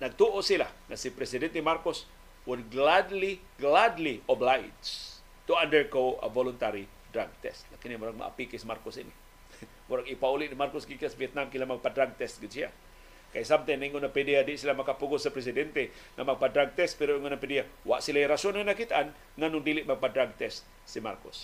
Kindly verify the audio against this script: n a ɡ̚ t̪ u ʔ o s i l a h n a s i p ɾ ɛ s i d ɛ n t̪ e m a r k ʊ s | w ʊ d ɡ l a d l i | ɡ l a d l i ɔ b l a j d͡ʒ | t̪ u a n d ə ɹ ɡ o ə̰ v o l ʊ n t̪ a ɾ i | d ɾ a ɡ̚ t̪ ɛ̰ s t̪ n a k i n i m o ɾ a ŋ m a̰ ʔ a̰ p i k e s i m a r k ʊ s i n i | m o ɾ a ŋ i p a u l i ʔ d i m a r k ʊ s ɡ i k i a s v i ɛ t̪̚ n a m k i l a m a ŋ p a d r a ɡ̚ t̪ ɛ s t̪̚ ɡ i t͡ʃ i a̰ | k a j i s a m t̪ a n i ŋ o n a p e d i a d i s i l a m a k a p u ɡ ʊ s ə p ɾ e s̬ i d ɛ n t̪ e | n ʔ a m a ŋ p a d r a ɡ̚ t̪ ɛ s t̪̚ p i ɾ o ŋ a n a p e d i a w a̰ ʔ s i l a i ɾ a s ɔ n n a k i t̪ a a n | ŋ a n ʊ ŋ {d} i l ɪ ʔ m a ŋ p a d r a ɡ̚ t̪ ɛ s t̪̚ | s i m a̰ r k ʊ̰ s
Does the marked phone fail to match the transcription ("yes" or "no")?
no